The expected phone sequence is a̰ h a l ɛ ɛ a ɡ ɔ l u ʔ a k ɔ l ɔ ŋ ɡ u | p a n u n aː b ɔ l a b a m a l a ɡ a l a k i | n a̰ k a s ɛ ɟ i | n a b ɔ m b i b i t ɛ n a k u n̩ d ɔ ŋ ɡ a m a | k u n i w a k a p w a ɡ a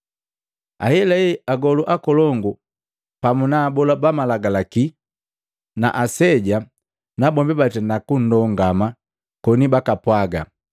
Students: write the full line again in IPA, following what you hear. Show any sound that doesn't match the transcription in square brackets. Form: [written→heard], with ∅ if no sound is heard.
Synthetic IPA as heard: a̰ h [a→ɛ] l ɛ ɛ a ɡ ɔ l u ʔ a k ɔ l ɔ ŋ ɡ u | p a [n→m] u n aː b ɔ l a b a m a l a ɡ a l a k i | n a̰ [k→ʔ] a s ɛ ɟ [i→a] | n a b ɔ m b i b [i→a] t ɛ n a k u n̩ d ɔ ŋ ɡ a m a | k [u→ɔ] n i [w→b] a k a p w a ɡ a